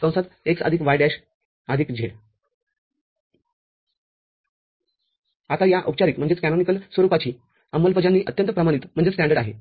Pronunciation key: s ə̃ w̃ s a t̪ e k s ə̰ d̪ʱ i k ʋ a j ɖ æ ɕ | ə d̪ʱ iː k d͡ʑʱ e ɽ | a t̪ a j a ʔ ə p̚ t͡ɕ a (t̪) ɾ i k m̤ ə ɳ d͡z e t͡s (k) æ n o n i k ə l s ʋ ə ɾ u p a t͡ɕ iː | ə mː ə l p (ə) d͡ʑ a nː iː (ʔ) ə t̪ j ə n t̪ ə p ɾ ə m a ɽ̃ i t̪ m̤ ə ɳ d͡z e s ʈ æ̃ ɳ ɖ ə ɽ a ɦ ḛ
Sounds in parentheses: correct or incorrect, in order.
incorrect: none, correct, correct, correct

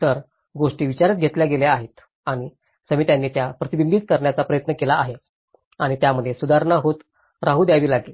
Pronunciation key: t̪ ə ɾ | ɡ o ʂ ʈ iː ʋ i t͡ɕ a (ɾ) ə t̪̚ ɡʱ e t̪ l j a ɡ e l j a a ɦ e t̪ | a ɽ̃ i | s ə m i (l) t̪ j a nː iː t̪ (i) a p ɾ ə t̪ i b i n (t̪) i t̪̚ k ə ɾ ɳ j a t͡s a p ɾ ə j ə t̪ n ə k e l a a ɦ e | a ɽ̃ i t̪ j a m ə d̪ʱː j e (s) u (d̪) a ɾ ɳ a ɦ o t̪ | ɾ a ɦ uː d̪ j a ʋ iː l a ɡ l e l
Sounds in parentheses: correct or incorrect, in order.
correct, incorrect: none, incorrect: j, incorrect: d̪, correct, correct

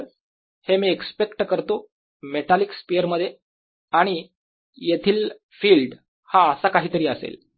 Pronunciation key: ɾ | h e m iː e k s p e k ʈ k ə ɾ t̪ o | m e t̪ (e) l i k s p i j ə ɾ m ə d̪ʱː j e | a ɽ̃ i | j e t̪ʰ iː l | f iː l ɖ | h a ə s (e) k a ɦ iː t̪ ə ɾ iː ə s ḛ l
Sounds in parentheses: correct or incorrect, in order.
incorrect: a, incorrect: a

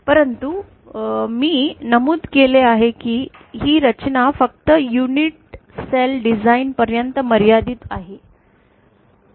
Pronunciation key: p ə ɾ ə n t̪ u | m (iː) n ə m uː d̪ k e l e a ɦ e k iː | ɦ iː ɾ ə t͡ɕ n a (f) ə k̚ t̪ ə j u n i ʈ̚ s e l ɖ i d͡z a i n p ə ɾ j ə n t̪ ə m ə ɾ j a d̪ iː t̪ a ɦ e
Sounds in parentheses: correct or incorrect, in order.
correct, correct

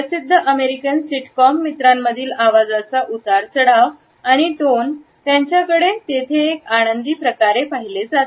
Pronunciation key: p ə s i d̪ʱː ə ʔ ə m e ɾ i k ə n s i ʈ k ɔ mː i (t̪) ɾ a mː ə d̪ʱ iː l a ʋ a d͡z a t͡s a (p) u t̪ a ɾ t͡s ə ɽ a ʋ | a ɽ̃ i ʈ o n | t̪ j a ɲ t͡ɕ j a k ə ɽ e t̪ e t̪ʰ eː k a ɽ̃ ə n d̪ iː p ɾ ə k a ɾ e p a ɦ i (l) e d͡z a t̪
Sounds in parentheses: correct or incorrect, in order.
correct, incorrect: ʔ, correct

